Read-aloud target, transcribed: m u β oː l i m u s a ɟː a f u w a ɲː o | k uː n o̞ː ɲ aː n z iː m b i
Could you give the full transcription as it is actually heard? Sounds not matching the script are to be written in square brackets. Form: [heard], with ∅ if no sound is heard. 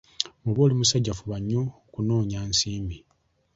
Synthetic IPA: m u β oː l i m u s a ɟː a f u [β] a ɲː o | k [u] n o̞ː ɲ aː n [s] iː m b i